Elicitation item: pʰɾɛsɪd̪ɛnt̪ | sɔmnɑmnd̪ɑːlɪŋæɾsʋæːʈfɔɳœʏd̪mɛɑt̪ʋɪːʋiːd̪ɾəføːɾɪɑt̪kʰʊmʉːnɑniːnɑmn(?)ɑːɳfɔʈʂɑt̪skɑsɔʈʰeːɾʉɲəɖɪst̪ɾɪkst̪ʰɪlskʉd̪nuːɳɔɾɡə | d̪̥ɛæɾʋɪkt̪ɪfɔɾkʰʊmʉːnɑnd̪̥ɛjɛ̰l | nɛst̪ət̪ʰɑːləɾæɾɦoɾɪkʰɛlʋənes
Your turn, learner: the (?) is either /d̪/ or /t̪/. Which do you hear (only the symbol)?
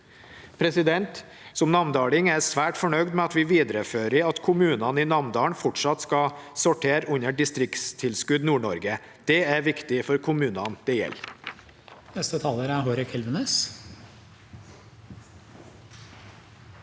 d̪